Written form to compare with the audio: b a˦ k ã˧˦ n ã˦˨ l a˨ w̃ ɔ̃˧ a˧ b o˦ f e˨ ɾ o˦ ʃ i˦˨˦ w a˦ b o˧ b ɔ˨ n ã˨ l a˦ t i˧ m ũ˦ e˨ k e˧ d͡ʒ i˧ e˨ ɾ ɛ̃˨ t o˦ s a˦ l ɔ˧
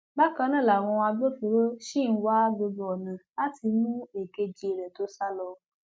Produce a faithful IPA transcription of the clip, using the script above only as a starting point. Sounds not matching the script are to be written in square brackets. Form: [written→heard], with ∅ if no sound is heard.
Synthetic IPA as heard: b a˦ k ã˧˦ n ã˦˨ l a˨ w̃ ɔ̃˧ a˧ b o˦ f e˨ ɾ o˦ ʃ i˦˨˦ w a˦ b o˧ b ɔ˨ n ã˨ l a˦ t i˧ m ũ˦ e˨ k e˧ d͡ʒ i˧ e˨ ɾ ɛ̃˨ t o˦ s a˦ l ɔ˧